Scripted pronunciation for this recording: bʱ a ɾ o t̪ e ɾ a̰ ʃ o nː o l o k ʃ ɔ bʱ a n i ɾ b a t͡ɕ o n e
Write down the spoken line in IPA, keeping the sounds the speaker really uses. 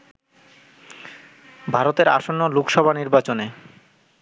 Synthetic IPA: bʱ a ɾ o t̪ e ɾ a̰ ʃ o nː o l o k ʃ ɔ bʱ a n i ɾ b a t͡ɕ o n e